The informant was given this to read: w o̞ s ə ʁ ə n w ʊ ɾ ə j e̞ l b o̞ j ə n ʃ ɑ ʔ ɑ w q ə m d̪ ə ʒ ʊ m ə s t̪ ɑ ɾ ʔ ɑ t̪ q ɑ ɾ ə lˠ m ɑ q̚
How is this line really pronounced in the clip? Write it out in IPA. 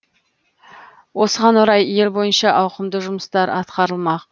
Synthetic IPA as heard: w o̞ s ə ʁ ɑ n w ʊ ɾ ɑ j e̞ l b o̞ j ə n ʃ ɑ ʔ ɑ w q ə m d̪ ə ʒ ʊ m ə s t̪ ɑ ɾ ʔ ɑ t̪ q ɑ ɾ ə lˠ m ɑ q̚